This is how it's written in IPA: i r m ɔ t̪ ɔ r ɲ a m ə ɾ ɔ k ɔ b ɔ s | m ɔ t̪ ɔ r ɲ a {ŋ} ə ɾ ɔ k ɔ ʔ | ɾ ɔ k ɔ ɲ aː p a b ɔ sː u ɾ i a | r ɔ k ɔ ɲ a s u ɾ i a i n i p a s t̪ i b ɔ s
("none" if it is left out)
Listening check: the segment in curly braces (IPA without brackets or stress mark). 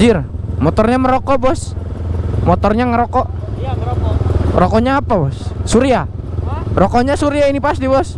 ŋ